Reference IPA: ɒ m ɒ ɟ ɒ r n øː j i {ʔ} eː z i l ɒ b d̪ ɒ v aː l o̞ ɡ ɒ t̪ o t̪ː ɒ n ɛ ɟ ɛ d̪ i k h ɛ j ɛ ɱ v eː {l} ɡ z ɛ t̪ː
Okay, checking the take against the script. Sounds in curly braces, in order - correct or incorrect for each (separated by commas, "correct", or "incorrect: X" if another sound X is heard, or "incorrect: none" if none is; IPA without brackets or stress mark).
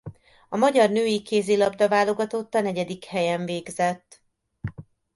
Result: incorrect: k, incorrect: none